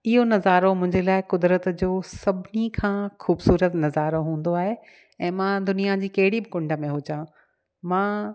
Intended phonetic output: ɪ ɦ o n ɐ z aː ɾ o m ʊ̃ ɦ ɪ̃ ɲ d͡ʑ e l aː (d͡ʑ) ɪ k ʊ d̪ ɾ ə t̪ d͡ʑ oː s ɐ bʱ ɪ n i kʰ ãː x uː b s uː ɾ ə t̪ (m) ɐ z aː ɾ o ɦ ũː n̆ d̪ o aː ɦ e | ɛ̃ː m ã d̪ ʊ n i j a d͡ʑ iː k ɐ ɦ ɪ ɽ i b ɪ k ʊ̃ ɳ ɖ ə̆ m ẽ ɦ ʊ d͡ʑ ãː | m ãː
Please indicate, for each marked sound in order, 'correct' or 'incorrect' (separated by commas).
incorrect, incorrect